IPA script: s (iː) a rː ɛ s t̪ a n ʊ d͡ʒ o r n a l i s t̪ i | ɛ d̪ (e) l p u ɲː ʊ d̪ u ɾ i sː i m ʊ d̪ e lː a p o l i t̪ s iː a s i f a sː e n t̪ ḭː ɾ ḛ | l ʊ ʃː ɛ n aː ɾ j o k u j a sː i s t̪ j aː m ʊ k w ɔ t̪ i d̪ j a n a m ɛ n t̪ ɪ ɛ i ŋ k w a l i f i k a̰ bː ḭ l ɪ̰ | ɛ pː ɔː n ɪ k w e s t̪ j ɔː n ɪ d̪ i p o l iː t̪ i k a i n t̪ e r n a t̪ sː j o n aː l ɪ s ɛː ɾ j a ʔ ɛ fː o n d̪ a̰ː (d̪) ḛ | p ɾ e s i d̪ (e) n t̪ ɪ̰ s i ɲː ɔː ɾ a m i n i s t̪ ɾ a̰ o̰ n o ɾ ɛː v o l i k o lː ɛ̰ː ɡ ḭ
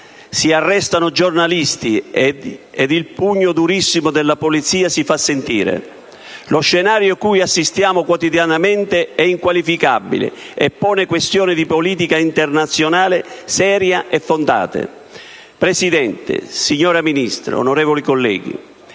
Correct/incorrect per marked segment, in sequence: incorrect: i, incorrect: i, incorrect: t̪, incorrect: ɛ

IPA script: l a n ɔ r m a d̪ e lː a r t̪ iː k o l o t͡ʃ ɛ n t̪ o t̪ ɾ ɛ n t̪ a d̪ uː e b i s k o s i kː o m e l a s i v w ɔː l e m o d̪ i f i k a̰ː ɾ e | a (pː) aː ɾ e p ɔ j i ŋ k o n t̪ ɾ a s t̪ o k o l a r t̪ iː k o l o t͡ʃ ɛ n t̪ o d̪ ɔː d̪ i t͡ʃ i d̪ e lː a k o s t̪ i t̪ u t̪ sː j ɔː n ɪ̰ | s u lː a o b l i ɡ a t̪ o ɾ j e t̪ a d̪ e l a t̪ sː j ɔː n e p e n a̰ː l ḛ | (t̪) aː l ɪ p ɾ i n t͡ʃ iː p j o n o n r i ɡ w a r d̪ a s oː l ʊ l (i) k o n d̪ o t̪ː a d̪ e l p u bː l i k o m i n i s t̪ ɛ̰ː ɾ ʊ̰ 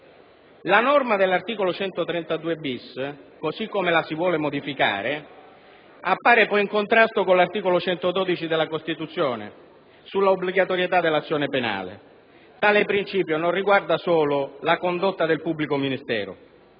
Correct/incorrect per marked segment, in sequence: correct, correct, incorrect: a

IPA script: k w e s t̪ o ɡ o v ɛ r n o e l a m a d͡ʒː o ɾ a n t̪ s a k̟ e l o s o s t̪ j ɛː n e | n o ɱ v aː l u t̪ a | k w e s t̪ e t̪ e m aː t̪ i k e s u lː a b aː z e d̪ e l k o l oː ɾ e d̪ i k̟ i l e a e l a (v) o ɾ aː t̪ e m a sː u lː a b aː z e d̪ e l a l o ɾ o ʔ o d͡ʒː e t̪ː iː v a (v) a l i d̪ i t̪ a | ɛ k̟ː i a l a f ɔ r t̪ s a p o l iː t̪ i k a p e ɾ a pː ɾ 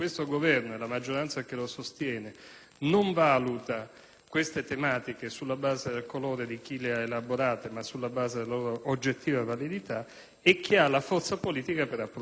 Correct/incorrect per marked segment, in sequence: incorrect: b, correct

